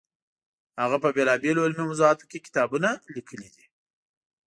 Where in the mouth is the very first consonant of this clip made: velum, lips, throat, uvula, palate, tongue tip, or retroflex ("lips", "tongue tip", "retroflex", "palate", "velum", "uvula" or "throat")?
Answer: throat